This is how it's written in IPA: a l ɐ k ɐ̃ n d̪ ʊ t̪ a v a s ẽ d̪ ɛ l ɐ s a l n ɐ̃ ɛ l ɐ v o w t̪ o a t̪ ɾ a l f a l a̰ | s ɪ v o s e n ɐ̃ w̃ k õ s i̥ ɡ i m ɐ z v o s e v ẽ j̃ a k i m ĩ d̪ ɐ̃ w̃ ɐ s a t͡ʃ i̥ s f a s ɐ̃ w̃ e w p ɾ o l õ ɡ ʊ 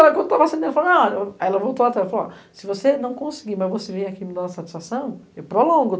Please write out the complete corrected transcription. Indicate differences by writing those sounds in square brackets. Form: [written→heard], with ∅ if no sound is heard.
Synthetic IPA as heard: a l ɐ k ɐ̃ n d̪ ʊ t̪ a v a s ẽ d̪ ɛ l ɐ [s→f] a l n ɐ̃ ɛ l ɐ v o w t̪ o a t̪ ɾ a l f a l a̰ | s ɪ v o s e n ɐ̃ w̃ k õ s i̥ ɡ i m ɐ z v o s e v ẽ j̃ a k i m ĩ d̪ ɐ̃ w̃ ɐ s a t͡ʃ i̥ s f a s ɐ̃ w̃ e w p ɾ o l õ ɡ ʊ